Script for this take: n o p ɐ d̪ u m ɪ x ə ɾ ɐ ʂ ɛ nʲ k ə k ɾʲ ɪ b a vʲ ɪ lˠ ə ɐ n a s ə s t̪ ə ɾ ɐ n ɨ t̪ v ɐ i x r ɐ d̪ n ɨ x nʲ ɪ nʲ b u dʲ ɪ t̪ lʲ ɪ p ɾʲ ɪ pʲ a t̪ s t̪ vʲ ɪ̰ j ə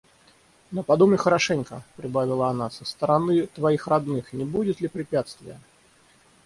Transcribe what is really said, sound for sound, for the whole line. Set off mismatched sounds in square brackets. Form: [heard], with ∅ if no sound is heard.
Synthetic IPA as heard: n o p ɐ d̪ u m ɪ x ə ɾ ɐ ʂ ɛ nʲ k ə [p] ɾʲ ɪ b a vʲ ɪ lˠ ə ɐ n a s ə s t̪ ə ɾ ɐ n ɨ t̪ v ɐ i x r ɐ d̪ n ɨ x nʲ ɪ [∅] b u dʲ ɪ t̪ lʲ ɪ p ɾʲ ɪ pʲ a t̪ s t̪ vʲ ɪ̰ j ə